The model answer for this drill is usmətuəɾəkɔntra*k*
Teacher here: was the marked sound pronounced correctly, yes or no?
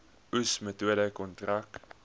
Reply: yes